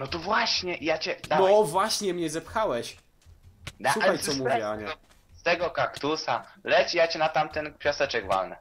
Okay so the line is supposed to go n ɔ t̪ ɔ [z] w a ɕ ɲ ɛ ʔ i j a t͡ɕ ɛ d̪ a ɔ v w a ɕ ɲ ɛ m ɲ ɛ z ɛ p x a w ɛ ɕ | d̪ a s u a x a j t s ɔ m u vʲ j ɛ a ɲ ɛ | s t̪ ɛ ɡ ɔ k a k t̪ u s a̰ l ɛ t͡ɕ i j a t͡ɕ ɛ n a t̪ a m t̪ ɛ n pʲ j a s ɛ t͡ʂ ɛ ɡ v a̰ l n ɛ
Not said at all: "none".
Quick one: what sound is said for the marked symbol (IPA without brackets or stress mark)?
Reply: v